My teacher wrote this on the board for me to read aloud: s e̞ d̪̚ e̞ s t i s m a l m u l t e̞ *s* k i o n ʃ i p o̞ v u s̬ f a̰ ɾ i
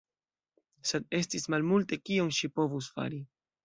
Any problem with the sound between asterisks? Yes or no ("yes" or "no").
yes